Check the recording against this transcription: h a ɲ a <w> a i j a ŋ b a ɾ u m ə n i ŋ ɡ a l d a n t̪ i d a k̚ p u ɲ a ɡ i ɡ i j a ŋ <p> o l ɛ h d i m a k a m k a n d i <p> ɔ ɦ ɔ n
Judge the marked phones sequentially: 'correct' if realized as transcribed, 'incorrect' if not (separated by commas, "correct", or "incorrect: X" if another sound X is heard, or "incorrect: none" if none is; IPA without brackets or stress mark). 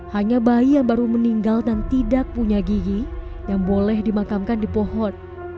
incorrect: b, incorrect: b, correct